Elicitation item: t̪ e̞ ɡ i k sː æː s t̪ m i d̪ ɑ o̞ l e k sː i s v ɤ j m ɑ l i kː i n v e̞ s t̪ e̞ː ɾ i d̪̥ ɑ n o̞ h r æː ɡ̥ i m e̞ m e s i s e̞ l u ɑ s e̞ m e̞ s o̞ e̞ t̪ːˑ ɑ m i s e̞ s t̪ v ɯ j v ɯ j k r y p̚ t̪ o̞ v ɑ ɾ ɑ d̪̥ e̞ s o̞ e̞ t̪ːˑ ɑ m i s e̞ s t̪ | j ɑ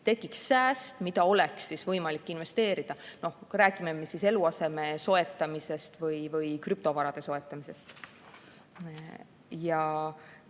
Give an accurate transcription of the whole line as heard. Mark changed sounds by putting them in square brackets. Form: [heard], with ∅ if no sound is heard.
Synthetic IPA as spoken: t̪ e̞ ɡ i k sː æː s t̪ m i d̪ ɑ o̞ l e k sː i s v ɤ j m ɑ l i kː i n v e̞ s t̪ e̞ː ɾ i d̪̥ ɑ n o̞ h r æː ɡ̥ i m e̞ m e s i s e̞ l u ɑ s e̞ m e̞ s o̞ e̞ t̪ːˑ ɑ m i s e̞ s t̪ v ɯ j v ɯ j k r y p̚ t̪ o̞ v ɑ ɾ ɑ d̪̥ e̞ s o̞ e̞ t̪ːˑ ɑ m i s e̞ s t̪ | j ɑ